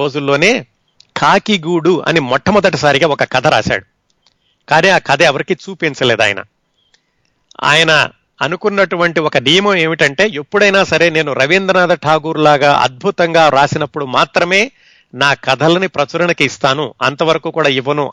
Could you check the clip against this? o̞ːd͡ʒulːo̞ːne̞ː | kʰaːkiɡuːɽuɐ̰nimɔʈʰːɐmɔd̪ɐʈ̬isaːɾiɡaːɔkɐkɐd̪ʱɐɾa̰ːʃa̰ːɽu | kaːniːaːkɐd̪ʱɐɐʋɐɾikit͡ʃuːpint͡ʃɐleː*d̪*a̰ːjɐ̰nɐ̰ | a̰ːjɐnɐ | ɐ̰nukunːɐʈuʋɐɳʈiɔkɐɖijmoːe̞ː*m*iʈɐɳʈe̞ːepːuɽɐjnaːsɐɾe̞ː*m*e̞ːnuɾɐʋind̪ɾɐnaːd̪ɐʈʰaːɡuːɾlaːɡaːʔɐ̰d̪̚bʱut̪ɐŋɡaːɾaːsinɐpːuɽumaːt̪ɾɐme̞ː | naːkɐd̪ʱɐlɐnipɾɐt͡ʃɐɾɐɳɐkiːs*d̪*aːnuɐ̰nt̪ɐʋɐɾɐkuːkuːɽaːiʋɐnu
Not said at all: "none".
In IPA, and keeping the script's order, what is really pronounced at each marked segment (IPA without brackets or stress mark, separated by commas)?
d̪, m, n, t̪